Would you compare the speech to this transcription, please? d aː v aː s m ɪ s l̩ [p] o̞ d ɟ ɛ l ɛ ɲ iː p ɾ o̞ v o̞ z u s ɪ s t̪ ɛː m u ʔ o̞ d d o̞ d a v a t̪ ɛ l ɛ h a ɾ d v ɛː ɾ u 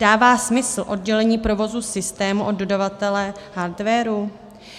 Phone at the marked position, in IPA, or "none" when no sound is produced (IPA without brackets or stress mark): ʔ